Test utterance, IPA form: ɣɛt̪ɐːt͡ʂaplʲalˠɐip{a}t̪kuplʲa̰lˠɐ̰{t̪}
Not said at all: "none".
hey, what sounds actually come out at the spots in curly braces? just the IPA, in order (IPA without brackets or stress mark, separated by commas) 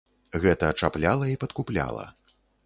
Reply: ɐ, none